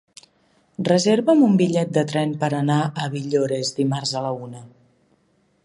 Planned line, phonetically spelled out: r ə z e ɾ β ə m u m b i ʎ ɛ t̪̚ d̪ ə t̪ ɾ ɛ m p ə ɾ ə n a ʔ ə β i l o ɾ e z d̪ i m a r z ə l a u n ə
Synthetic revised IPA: r ə z e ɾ β ə m u m b i ʎ ɛ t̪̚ d̪ ə t̪ ɾ ɛ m p ə ɾ ə n a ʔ ə β i ʎ o ɾ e z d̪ i m a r z ə l ə u n ə